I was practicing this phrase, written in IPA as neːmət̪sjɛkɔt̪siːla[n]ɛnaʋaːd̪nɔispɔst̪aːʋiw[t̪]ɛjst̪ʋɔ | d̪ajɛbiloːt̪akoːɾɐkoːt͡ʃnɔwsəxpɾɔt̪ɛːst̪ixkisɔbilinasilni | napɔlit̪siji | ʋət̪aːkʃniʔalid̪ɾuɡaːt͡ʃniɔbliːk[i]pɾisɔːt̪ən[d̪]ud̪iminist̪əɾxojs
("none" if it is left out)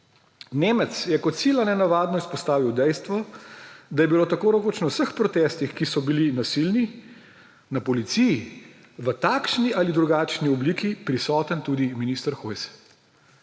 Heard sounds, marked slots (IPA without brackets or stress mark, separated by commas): n, d̪, i, t̪